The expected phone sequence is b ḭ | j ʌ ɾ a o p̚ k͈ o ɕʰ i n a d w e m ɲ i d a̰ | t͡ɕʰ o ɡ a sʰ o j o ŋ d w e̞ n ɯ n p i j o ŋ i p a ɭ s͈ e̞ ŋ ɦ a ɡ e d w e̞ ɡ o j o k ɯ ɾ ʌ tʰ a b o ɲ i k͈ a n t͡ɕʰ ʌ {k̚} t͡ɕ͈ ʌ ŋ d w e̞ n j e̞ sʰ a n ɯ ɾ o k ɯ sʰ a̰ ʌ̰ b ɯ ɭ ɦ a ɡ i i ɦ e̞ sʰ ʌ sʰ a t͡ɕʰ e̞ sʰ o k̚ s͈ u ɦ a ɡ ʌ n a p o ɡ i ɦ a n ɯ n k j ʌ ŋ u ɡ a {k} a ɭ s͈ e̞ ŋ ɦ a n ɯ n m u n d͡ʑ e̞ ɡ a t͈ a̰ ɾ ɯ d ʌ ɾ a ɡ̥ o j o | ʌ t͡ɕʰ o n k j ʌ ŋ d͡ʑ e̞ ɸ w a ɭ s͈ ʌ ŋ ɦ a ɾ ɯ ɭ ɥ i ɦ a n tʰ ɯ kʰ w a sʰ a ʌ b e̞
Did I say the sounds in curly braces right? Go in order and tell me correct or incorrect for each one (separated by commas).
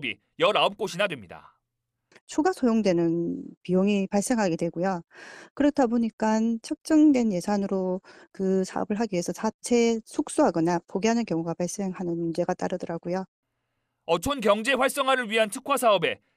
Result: correct, incorrect